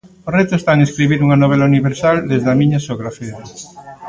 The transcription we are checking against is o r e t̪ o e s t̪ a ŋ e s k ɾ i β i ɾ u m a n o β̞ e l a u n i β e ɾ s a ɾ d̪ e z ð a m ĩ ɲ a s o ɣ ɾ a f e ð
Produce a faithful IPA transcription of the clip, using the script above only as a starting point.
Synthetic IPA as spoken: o r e t̪ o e s t̪ a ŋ e s k ɾ i β i ɾ u ŋ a n o β̞ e l a u n i β e ɾ s a l d̪ e z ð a m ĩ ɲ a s o ɣ ɾ a f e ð

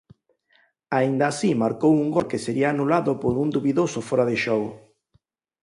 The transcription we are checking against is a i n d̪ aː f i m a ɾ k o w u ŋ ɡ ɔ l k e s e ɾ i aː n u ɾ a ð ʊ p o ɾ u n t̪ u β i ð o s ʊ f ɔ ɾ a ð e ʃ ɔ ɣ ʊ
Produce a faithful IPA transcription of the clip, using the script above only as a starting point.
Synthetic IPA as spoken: a i n d̪ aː s i m a ɾ k o w u ŋ ɡ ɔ l k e s e ɾ i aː n u l a ð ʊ p o ɾ u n d̪ u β i ð o s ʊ f ɔ ɾ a ð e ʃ ɔ ɣ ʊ

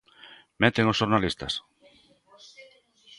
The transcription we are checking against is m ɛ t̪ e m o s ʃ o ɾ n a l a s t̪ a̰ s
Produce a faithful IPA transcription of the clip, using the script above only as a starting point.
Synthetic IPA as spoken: m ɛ t̪ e ŋ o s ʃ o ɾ n a l i s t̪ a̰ s

